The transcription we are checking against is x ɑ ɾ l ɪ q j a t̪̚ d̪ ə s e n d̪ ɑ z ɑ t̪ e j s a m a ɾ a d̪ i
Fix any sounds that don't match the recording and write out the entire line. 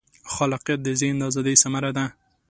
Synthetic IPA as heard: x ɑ l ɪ q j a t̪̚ d̪ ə z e n d̪ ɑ z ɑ d̪ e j s a m a ɾ a d̪ a